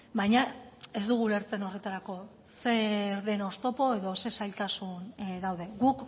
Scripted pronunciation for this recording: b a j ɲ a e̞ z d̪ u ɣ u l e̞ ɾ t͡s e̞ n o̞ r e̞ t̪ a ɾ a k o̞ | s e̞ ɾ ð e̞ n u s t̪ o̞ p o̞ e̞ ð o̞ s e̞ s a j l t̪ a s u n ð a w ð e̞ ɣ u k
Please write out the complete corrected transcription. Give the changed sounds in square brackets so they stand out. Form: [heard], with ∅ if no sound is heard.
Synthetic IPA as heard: b a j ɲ a e̞ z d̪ u ɣ u l e̞ ɾ t͡s e̞ n o̞ r e̞ t̪ a ɾ a k o̞ | s e̞ ɾ ð e̞ n [o] s t̪ o̞ p o̞ e̞ ð o̞ s e̞ s a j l t̪ a s u n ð a w ð e̞ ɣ u k